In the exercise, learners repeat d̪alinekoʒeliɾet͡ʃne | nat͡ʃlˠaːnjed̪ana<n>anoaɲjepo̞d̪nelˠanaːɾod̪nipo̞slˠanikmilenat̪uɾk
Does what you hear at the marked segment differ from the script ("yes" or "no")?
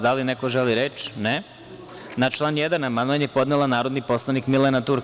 yes